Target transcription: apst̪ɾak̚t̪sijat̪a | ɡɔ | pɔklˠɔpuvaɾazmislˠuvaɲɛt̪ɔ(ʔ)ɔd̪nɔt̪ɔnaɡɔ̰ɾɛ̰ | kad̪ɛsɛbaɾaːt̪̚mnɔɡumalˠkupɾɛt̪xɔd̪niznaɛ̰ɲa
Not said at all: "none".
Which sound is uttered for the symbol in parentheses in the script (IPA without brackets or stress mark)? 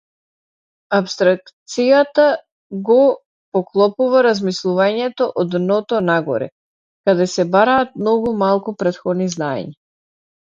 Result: ʔ